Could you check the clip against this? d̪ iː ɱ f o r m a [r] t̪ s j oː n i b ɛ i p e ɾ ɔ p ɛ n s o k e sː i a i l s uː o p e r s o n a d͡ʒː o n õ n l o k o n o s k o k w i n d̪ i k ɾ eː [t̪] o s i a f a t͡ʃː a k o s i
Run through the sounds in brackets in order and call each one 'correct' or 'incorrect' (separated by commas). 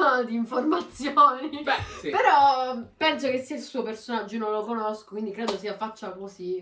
incorrect, incorrect